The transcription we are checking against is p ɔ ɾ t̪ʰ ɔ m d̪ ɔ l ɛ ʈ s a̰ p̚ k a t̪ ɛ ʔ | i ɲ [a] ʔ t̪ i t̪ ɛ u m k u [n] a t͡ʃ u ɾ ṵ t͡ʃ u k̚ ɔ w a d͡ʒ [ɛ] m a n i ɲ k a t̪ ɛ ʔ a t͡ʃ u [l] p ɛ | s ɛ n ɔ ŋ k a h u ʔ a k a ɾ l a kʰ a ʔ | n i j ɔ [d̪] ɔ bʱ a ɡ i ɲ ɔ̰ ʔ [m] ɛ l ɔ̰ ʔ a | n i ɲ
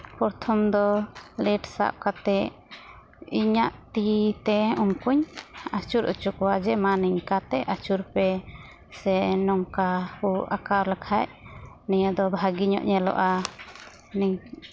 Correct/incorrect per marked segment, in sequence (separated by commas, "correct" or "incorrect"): correct, incorrect, correct, incorrect, correct, incorrect